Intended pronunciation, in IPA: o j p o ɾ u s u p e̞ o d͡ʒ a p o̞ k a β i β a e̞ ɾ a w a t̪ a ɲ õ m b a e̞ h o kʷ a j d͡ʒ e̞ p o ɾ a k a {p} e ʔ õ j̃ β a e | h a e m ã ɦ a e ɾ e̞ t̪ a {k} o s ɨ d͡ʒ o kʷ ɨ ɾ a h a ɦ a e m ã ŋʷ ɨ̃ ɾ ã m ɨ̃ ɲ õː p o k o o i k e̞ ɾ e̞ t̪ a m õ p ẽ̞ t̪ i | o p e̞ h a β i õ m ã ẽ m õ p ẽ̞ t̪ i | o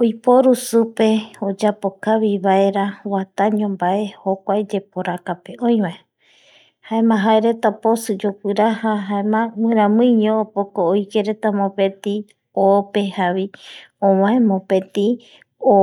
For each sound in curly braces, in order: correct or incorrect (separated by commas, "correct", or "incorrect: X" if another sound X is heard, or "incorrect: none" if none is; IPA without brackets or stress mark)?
correct, incorrect: p